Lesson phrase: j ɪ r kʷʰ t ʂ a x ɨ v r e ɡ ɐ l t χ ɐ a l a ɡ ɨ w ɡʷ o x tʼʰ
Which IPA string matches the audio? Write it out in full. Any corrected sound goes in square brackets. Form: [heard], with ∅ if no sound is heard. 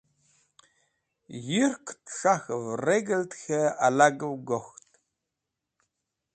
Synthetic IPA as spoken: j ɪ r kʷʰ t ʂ a x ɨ v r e ɡ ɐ l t [x] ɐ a l a ɡ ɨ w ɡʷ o x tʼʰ